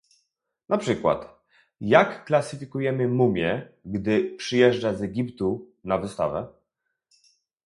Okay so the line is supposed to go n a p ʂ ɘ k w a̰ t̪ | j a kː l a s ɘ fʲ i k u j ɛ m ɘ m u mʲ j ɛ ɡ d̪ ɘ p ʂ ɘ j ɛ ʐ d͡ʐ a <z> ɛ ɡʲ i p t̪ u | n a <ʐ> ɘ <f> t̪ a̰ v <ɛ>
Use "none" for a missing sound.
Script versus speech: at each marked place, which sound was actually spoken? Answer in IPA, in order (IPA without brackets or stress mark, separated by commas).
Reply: z, v, s, ɛ